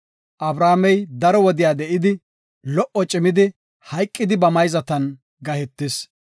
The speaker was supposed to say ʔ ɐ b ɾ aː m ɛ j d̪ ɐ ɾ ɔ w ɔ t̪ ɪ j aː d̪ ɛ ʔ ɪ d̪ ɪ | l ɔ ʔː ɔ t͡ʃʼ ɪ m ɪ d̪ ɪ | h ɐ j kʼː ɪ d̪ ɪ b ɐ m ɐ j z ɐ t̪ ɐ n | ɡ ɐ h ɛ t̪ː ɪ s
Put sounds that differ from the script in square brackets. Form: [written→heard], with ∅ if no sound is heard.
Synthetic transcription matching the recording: ʔ ɐ b ɾ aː m ɛ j d̪ ɐ ɾ ɔ w ɔ [t̪→d̪] ɪ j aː d̪ ɛ ʔ ɪ d̪ ɪ | l ɔ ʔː ɔ t͡ʃʼ ɪ m ɪ d̪ ɪ | h ɐ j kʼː ɪ d̪ ɪ b ɐ m ɐ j z ɐ t̪ ɐ n | ɡ ɐ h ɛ t̪ː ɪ s